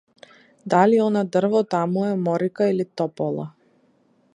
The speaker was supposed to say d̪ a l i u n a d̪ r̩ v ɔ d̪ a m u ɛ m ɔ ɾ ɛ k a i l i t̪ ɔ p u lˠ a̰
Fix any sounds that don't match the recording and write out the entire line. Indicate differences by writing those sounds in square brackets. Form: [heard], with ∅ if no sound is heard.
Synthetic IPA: d̪ a l i [ɔ] n a d̪ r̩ v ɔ [t̪] a m u ɛ m ɔ ɾ [i] k a i l i t̪ ɔ p [ɔ] lˠ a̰